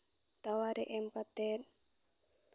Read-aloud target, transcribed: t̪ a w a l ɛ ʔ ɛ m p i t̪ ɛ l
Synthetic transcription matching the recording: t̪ a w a ɾ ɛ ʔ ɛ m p a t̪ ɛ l